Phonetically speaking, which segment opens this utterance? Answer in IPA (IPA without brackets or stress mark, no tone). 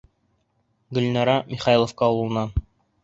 ɡ